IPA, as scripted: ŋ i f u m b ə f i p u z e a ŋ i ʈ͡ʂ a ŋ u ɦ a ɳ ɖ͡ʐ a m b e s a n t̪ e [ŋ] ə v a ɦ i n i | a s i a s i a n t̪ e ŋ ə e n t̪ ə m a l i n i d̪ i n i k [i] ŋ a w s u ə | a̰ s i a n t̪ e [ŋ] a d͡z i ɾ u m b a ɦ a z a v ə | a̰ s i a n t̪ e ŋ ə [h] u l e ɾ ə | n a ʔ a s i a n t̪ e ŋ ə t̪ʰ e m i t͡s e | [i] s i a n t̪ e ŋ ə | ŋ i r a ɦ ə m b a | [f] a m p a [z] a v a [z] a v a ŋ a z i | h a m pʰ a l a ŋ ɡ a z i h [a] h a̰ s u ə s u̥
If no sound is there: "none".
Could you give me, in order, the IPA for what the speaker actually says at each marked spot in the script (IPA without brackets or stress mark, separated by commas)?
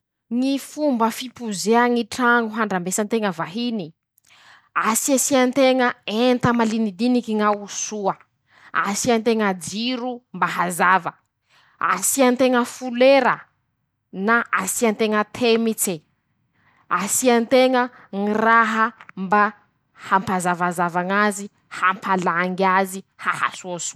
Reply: ŋ, i, ŋ, f, a, h, z, z, a